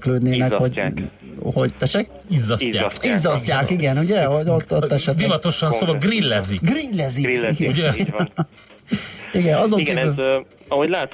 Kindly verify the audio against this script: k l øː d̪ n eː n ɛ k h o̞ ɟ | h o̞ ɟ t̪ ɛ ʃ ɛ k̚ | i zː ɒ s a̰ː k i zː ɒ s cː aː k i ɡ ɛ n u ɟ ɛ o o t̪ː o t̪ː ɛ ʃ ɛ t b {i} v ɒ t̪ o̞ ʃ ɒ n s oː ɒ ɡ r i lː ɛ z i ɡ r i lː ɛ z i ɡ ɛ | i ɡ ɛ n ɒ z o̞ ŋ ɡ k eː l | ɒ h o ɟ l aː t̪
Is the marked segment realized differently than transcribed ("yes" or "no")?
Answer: no